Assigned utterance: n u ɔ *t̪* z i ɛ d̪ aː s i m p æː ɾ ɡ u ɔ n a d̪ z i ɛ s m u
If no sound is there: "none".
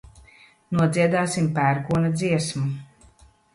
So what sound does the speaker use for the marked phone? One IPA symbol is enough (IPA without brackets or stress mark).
d̪